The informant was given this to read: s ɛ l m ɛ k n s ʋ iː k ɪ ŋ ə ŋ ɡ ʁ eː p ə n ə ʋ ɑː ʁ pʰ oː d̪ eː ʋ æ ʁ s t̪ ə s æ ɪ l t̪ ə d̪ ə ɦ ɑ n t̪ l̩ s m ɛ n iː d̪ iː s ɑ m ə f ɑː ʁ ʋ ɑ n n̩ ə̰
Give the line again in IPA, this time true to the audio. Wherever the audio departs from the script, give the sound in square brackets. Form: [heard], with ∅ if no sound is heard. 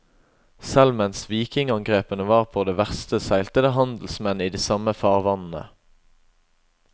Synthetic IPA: s ɛ l m ɛ [∅] n s ʋ iː k ɪ ŋ [ɑ] ŋ ɡ ʁ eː p ə n ə ʋ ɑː ʁ pʰ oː d̪ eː ʋ æ ʁ s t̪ ə s æ ɪ l t̪ ə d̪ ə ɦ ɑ n [d̪] l̩ s m ɛ n iː d̪ iː s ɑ m ə f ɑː ʁ ʋ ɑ n n̩ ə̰